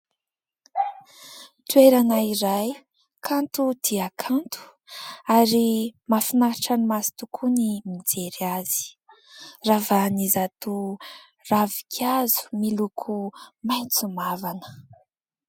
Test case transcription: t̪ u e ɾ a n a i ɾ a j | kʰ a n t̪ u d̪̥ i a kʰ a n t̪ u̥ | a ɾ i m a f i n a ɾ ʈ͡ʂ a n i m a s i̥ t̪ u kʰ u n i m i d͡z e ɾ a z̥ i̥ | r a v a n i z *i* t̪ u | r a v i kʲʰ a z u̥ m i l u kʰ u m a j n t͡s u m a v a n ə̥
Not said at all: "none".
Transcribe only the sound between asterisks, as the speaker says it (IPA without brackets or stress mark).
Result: a